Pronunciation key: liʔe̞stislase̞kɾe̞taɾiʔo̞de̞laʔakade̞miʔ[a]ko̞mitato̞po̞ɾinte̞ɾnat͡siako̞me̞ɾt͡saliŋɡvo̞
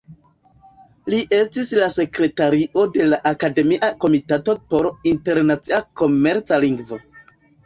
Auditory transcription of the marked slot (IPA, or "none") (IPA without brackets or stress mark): a